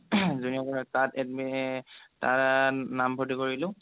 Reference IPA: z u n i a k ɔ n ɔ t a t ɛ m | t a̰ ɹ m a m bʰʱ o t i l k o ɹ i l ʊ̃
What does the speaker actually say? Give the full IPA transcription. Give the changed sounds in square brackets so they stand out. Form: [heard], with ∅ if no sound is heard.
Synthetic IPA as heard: z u n i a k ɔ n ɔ t a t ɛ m | t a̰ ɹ [n] a m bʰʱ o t i [∅] k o ɹ i l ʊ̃